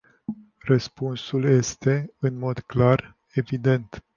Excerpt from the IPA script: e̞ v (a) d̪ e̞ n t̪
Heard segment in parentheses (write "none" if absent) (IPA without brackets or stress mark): i